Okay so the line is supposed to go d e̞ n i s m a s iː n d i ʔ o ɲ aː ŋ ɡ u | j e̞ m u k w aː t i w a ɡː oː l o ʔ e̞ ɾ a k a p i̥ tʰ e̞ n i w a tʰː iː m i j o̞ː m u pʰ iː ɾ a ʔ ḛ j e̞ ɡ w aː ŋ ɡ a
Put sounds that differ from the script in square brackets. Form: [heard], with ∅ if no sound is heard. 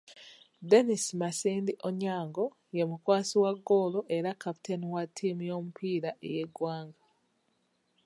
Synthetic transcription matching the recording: d e̞ n i s m a s iː n d i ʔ o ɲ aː ŋ ɡ [o] | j e̞ m u k w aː [s] i w a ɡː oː l o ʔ e̞ ɾ a k a p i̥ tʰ e̞ n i w a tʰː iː m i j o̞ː m u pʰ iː ɾ a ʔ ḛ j e̞ ɡ w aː ŋ ɡ a

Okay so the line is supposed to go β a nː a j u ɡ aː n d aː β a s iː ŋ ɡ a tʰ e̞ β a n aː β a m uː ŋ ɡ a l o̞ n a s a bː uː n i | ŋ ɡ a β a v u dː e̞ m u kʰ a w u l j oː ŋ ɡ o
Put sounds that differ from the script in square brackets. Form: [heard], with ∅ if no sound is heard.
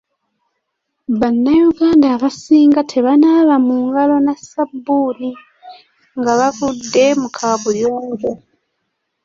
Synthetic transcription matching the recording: β a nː a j u ɡ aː n d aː β a s iː ŋ ɡ a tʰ e̞ β a n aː β a m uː ŋ ɡ a l o̞ n a s a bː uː n i | ŋ ɡ a β a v u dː e̞ m u kʰ a [β] u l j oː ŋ ɡ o

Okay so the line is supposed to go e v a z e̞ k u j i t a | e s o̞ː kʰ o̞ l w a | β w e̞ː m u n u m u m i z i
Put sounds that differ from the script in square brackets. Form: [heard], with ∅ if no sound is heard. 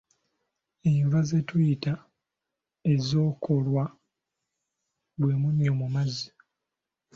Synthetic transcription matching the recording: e v a z e̞ [t] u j i t a | e [z] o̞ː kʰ o̞ l w a | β w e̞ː m u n [o] m u m [a] z i

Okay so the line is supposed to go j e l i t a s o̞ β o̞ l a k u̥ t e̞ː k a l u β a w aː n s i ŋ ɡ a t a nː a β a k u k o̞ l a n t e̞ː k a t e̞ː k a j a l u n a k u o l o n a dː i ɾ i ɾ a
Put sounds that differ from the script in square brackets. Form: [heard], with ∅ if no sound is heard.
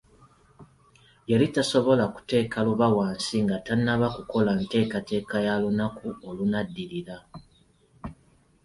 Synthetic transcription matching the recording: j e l i t a s o̞ β o̞ l a k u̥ t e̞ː k a l u β a w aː n s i ŋ ɡ a t a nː a β a k u k o̞ l a n t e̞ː k a t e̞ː k a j a l u n a k u o l [u] n a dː i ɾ i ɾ a

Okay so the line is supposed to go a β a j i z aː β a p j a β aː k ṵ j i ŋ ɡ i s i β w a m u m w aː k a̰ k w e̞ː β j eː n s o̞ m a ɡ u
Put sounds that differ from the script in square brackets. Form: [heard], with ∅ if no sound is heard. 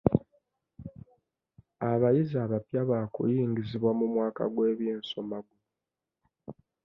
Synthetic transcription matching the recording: a β a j i z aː β a p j a β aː k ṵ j [iː] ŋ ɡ i [z] i β w a m u m w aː k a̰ [ɡ] w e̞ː β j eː n s o̞ m a ɡ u

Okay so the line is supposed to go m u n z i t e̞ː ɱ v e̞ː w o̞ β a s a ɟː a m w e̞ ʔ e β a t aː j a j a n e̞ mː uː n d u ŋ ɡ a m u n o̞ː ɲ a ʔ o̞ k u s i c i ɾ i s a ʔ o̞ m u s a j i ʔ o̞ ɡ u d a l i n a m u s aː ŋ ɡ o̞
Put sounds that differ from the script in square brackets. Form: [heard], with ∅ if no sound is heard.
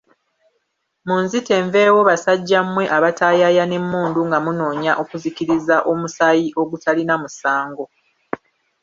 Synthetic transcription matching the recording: m u n z i t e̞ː ɱ v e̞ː w o̞ β a s a ɟː a m w e̞ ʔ [a] β a t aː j a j a n e̞ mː uː n d u ŋ ɡ a m u n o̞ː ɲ a ʔ o̞ k u [z] i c i ɾ i [z] a ʔ o̞ m u s a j i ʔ o̞ ɡ u [t] a l i n a m u s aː ŋ ɡ o̞

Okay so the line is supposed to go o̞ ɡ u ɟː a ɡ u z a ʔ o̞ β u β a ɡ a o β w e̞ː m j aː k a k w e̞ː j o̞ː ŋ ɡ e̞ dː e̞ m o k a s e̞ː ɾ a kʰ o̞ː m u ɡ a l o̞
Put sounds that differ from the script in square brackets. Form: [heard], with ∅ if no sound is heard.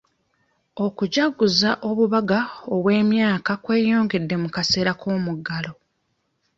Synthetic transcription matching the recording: o̞ [k] u [ɟ] a ɡ u z a ʔ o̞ β u β a ɡ a o β w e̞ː m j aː k a k w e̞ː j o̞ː ŋ ɡ e̞ dː e̞ m [u] k a s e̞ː ɾ a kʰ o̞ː m u ɡ a l o̞

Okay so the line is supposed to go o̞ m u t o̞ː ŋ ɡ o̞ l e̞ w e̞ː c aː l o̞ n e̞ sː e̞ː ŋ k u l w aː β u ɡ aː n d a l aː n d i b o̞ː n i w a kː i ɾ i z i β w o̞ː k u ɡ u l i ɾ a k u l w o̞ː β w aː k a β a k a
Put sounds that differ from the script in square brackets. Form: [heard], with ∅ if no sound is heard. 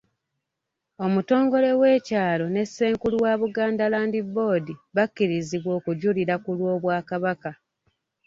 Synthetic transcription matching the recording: o̞ m u t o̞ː ŋ ɡ o̞ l e̞ w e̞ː c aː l o̞ n e̞ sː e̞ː ŋ k u l w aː β u ɡ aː n d a l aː n d i b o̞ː [d] i [β] a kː i ɾ i z i β w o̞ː k u [ɟ] u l i ɾ a k u l w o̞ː β w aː k a β a k a

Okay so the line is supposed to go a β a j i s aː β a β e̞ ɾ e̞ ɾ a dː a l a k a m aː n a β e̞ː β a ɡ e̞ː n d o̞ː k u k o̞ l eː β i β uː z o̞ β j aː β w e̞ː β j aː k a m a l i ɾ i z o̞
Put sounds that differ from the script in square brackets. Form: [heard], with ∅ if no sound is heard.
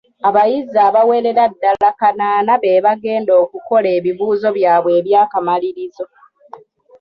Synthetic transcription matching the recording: a β a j i [z] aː β a [w] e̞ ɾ e̞ ɾ a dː a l a k a [n] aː n a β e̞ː β a ɡ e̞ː n d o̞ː k u k o̞ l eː β i β uː z o̞ β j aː β w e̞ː β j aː k a m a l i ɾ i z o̞

